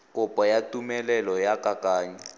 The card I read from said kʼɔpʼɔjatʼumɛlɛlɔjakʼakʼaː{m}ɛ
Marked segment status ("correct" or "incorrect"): incorrect